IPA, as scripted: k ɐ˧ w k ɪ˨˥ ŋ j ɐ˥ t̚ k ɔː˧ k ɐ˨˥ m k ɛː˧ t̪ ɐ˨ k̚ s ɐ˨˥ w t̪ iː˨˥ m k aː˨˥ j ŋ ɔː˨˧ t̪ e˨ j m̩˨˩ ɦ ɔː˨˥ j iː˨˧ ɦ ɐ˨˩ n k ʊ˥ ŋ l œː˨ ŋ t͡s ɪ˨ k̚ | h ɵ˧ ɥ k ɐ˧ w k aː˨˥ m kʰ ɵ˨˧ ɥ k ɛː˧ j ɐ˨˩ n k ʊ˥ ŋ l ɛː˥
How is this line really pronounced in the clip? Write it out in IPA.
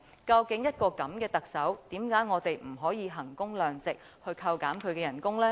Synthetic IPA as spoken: k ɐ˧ w k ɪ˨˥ ŋ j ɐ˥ t̚ k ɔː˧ k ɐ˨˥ m k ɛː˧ t̪ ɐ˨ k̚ s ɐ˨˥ w t̪ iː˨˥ m k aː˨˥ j ŋ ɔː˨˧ t̪ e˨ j m̩˨˩ ɦ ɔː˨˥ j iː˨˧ ɦ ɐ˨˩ ŋ k ʊ˥ ŋ l œː˨ ŋ t͡s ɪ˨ k̚ | h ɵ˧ ɥ kʰ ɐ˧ w k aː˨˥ m kʰ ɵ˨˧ ɥ k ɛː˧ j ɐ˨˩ n k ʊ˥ ŋ l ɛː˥